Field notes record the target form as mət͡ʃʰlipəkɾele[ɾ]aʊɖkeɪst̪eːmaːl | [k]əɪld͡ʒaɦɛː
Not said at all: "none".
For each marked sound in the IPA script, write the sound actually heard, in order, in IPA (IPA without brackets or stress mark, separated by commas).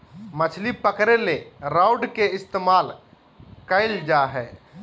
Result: ɾ, k